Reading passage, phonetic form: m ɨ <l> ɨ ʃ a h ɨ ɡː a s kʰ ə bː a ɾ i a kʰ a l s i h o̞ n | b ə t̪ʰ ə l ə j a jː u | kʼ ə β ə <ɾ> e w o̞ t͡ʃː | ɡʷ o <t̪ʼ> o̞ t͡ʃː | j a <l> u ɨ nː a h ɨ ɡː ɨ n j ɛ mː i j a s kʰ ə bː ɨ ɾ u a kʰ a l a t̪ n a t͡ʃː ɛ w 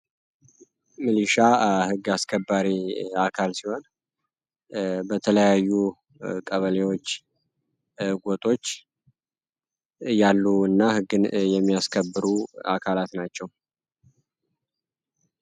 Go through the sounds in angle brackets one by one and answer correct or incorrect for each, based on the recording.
correct, incorrect, correct, incorrect

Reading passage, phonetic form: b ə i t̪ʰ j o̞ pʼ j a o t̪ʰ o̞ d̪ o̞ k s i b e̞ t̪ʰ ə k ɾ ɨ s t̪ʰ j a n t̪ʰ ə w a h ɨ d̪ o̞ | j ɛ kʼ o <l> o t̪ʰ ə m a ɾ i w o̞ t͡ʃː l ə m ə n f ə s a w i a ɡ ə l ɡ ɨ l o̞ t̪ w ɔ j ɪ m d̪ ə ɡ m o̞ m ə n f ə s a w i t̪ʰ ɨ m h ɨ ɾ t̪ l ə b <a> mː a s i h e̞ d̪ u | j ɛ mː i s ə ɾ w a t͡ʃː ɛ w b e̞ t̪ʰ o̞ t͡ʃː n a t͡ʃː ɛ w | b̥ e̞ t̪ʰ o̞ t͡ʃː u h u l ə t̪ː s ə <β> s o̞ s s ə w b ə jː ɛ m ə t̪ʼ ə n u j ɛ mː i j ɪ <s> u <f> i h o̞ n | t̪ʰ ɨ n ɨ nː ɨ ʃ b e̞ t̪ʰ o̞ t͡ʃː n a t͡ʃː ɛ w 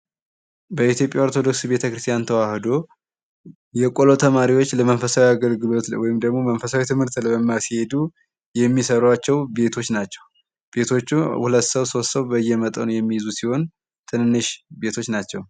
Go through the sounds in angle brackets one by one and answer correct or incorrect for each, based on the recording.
correct, incorrect, incorrect, incorrect, incorrect

